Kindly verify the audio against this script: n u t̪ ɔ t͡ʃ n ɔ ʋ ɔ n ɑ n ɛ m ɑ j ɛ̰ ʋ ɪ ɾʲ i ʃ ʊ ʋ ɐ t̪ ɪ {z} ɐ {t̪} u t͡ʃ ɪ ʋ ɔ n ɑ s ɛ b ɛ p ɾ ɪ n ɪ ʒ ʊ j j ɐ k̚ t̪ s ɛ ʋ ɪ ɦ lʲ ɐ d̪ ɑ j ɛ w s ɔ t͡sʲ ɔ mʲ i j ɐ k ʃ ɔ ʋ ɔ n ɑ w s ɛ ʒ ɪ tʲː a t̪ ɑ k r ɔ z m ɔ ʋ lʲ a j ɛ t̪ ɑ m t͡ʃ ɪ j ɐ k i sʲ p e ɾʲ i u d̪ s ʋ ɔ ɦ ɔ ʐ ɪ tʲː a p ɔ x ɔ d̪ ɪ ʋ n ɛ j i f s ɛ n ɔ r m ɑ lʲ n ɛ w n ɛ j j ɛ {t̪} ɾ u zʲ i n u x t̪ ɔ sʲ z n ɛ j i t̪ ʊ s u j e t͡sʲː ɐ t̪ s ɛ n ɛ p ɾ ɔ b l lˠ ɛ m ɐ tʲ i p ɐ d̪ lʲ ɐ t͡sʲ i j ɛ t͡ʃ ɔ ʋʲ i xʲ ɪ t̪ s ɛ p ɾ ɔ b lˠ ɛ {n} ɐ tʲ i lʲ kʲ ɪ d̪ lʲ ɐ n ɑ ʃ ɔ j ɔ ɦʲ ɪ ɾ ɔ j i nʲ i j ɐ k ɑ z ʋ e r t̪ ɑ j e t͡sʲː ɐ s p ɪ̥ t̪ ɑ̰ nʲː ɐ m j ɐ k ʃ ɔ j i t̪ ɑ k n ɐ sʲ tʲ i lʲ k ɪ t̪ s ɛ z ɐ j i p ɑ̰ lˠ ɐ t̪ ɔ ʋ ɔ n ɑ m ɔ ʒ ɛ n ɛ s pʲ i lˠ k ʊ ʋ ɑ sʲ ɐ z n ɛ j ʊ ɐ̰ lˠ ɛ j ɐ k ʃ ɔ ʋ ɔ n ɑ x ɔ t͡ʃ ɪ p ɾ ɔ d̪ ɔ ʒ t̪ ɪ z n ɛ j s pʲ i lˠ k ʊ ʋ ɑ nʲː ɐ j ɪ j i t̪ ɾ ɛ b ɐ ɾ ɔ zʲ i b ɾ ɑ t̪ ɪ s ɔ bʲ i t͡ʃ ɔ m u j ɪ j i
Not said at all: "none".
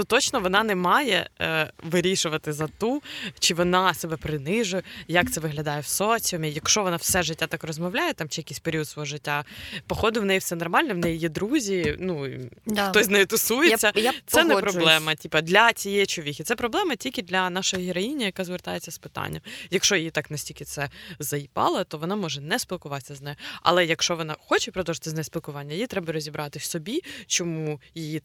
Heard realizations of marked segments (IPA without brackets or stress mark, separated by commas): z, t̪, d̪, m